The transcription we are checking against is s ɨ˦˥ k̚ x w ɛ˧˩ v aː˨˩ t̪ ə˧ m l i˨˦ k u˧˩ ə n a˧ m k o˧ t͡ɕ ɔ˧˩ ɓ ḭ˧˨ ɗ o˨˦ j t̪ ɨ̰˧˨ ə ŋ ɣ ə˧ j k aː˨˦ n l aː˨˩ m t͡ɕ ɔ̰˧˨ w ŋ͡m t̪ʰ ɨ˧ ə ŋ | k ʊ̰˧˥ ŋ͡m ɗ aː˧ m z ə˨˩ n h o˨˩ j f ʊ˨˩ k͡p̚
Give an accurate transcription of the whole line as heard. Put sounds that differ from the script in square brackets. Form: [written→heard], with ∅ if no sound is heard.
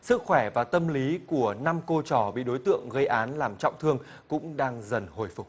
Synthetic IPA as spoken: s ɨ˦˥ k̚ x w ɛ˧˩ v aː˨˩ t̪ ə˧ m l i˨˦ k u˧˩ ə n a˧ m k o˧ t͡ɕ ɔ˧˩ ɓ ḭ˧˨ ɗ o˨˦ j t̪ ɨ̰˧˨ ə ŋ ɣ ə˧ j [k→ʔ] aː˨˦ n l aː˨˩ m t͡ɕ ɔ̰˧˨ w ŋ͡m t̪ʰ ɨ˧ ə ŋ | k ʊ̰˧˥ ŋ͡m ɗ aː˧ [m→ŋ] z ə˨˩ n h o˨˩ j f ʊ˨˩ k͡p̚